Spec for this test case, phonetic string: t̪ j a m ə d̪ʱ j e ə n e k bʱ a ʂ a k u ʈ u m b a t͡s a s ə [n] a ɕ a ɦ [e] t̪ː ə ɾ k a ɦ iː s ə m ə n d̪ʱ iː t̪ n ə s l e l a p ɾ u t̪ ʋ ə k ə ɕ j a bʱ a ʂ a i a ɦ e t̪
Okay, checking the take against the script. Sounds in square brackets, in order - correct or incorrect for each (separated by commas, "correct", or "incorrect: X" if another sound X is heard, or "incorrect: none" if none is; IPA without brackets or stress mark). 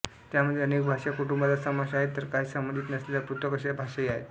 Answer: incorrect: m, correct